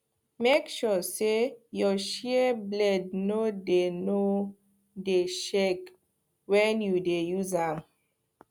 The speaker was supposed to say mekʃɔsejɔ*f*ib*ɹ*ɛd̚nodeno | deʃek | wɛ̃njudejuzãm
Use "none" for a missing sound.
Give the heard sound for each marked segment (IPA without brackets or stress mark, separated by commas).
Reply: ʃ, l